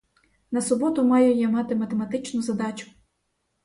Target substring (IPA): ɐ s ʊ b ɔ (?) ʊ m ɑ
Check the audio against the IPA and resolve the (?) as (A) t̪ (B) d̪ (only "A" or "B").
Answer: A